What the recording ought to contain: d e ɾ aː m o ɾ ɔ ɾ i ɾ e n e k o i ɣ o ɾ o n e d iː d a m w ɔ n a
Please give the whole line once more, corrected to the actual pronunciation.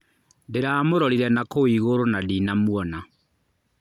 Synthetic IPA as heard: d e ɾ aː m o ɾ ɔ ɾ i ɾ ɛ n a k o i ɣ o ɾ o n a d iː n a m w ɔ n a